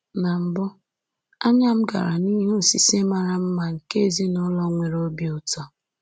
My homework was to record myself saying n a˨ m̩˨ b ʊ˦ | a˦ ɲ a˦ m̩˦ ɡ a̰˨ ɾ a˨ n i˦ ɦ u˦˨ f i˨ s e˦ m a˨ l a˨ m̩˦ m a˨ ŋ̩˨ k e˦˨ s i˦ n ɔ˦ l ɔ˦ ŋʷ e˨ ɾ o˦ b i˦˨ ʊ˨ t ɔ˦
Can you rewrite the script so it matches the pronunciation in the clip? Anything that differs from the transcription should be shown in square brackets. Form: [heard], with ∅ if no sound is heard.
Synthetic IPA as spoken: n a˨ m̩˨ b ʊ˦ | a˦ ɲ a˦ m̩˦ ɡ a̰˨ ɾ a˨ n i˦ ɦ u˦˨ [s] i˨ s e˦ m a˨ [ɾ] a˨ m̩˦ m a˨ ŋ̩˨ k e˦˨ [z] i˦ n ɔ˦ l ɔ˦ ŋʷ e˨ ɾ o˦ b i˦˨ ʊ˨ t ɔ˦